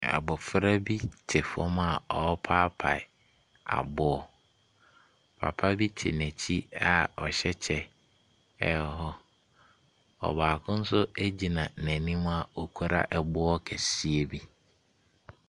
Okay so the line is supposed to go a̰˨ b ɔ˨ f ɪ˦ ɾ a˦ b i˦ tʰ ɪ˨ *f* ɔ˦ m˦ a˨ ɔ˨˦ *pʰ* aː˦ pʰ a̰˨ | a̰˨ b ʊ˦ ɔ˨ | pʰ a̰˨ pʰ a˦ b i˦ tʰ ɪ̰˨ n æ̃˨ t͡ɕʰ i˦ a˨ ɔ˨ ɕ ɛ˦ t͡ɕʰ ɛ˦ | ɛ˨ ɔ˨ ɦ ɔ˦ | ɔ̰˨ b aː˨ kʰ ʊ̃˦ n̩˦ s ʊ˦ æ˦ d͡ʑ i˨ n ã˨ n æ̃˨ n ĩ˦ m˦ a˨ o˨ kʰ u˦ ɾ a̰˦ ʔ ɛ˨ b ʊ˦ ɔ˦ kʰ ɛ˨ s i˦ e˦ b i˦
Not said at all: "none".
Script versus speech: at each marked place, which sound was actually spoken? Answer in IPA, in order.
f, pʰ

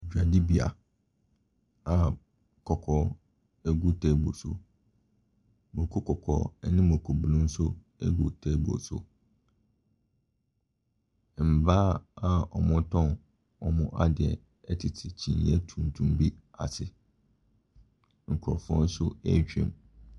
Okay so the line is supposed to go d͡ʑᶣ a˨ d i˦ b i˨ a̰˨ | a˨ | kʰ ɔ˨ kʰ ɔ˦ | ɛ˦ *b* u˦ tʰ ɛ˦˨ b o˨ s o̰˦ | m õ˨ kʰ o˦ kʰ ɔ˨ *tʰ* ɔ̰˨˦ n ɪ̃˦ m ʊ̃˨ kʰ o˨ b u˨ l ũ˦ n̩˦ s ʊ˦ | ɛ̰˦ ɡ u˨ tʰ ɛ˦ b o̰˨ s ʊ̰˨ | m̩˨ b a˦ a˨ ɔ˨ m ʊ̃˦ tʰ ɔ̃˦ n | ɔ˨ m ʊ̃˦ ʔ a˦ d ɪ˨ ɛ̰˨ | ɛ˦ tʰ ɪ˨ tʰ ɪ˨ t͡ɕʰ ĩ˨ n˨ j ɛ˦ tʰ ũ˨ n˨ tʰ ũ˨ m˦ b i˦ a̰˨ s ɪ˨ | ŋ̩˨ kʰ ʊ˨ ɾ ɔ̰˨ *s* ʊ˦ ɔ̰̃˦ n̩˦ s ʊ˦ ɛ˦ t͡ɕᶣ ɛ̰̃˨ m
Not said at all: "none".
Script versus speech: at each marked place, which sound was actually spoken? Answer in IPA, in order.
ɡ, kʰ, f

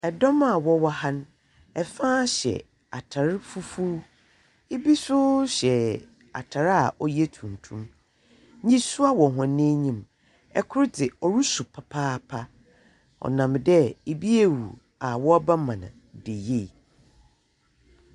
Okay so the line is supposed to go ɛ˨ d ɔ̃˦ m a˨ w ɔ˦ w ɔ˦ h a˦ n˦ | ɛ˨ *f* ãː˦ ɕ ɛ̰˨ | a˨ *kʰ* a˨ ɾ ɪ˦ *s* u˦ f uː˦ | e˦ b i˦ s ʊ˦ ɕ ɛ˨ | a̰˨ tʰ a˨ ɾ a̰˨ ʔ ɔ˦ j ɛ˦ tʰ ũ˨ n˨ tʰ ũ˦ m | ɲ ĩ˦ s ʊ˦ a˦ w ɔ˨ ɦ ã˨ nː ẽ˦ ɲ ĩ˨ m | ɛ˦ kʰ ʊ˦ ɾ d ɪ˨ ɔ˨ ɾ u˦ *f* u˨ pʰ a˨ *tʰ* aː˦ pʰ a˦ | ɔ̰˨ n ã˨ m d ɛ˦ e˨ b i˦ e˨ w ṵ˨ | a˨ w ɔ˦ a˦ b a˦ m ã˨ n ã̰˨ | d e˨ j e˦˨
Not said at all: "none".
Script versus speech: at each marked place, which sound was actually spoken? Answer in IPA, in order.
f, tʰ, f, s, pʰ

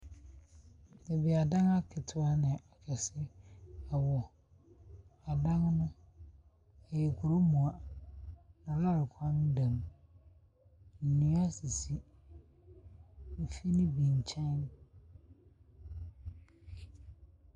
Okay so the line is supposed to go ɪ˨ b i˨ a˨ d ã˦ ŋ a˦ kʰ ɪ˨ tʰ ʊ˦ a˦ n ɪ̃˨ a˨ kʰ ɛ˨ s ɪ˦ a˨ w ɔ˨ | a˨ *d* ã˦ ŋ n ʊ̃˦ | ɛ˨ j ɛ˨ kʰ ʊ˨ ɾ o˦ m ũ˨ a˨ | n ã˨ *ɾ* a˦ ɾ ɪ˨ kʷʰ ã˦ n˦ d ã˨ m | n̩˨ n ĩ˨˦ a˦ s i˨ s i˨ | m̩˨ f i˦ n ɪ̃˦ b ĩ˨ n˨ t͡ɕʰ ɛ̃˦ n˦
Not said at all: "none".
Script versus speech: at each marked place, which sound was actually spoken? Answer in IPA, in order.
d, l

